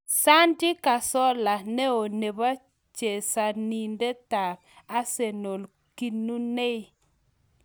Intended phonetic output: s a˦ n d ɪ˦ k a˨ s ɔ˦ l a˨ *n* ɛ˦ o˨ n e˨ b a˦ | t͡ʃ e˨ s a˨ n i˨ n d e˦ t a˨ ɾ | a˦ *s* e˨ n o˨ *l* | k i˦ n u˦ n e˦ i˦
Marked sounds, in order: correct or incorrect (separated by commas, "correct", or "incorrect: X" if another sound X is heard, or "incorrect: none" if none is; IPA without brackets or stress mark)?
correct, correct, correct